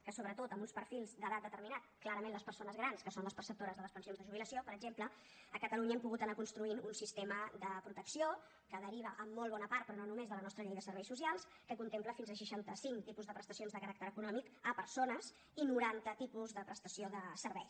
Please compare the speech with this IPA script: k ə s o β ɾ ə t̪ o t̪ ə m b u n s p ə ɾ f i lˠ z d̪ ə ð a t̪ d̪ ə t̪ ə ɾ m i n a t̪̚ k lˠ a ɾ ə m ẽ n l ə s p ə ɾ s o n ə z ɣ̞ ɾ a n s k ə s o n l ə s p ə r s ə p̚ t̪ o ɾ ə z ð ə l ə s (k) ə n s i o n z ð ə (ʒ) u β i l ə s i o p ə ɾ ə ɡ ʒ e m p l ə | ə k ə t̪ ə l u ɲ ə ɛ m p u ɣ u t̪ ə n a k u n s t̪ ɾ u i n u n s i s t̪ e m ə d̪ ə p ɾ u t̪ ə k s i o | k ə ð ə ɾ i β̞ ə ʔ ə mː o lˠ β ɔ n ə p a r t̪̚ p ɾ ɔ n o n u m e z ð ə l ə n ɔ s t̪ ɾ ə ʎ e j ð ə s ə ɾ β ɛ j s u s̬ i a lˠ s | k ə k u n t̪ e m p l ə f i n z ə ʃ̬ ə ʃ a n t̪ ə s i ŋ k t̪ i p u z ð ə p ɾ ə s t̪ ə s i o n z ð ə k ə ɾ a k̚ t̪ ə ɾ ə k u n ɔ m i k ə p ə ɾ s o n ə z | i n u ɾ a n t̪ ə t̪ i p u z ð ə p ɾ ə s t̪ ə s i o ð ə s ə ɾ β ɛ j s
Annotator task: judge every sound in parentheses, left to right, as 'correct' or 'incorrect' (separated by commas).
incorrect, correct